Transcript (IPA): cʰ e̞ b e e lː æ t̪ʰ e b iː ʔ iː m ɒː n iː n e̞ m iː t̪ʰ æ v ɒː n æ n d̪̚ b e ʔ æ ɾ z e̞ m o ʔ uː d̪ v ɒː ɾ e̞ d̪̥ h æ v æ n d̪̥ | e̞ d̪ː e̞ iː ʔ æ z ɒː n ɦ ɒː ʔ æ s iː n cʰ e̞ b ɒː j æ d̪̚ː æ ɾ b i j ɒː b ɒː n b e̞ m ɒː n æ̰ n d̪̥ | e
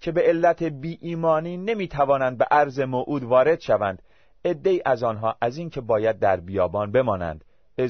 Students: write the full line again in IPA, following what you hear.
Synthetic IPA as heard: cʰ e̞ b e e lː æ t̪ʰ e b iː ʔ iː m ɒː n iː n e̞ m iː t̪ʰ æ v ɒː n æ n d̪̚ b e ʔ æ ɾ z e̞ m o ʔ uː d̪ v ɒː ɾ e̞ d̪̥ ʃ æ v æ n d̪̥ | e̞ d̪ː e̞ iː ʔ æ z ɒː n ɦ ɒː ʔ æ z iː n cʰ e̞ b ɒː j æ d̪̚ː æ ɾ b i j ɒː b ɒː n b e̞ m ɒː n æ̰ n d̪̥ | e